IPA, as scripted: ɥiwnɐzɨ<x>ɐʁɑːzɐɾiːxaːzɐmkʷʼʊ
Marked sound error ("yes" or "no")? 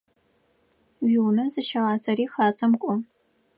yes